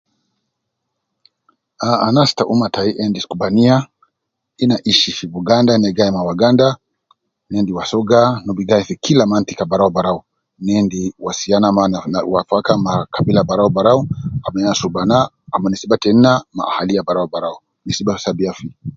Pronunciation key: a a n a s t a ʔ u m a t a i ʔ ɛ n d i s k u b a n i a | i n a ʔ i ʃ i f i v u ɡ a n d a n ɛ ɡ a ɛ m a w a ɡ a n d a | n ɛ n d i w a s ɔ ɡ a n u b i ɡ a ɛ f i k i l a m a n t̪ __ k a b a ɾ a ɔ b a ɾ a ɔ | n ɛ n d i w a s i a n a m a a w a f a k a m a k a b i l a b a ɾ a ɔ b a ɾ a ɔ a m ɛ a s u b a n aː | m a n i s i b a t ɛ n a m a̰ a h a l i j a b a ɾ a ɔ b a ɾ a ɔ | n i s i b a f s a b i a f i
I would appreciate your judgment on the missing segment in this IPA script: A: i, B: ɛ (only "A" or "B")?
A